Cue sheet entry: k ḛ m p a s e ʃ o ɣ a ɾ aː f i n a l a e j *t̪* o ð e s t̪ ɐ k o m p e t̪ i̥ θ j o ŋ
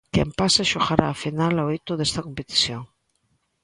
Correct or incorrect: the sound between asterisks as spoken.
correct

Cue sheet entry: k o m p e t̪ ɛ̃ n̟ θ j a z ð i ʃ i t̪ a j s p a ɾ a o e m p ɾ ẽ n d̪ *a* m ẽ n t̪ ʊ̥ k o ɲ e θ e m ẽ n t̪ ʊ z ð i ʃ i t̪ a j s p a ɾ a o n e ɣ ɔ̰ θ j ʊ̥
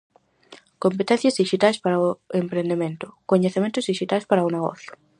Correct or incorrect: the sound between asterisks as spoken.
incorrect: e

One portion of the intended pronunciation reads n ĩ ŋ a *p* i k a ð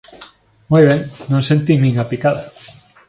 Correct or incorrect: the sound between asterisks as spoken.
correct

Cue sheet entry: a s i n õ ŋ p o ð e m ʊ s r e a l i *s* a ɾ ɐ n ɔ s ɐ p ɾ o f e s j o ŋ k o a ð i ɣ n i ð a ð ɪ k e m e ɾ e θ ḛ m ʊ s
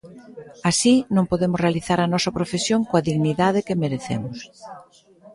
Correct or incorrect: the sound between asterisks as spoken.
incorrect: θ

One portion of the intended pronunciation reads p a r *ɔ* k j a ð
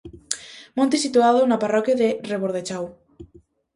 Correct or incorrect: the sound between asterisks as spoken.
correct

